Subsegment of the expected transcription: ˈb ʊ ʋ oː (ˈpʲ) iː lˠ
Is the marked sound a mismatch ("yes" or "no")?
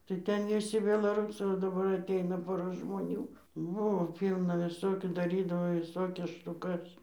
no